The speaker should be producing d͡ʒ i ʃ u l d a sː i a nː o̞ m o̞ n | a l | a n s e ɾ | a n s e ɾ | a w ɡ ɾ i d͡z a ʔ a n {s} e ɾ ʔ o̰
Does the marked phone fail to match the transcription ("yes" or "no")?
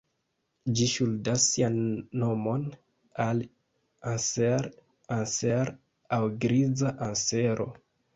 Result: no